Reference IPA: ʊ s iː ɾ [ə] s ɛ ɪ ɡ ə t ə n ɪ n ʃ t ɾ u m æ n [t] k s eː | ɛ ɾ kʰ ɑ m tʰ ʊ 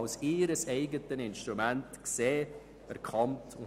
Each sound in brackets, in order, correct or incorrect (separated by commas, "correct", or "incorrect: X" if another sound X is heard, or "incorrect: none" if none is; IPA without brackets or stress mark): correct, correct